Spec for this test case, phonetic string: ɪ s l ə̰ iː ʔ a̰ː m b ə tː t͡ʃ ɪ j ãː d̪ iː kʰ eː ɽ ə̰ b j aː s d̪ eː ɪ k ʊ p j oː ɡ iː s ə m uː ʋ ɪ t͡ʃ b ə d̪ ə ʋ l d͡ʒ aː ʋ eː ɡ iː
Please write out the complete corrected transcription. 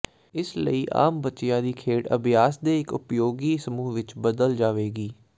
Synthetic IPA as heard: ɪ s l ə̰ iː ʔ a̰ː m b ə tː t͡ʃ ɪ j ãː d̪ iː kʰ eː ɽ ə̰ b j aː s d̪ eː ɪ k ʊ p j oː ɡ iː s ə m uː ʋ ɪ t͡ʃ b ə d̪ ə l d͡ʒ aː ʋ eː ɡ iː